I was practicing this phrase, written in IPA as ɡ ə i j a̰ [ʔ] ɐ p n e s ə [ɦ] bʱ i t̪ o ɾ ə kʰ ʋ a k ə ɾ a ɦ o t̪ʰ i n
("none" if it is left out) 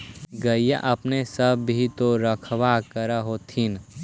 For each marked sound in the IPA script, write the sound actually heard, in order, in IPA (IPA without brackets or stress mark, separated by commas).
ʔ, none